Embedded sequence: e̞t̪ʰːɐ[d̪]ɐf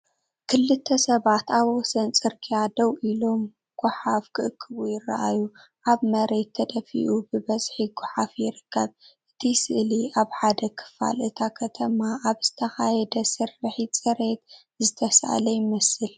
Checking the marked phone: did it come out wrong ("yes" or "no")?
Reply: no